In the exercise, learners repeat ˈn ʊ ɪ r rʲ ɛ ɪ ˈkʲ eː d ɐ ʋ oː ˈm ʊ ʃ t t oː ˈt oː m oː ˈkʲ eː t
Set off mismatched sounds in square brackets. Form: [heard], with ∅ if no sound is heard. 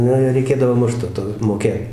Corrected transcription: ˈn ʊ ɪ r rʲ ɛ ɪ ˈkʲ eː d ɐ ʋ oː ˈm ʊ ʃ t t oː ˈt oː m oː ˈkʲ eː t